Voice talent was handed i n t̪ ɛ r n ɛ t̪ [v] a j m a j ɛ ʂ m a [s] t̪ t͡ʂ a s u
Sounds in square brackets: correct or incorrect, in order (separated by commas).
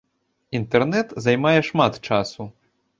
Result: incorrect, incorrect